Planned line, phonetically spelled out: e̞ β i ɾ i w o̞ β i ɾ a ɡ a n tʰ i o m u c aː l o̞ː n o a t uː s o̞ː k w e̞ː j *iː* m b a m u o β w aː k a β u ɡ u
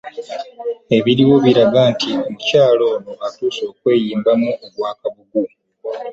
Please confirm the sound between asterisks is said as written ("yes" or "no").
yes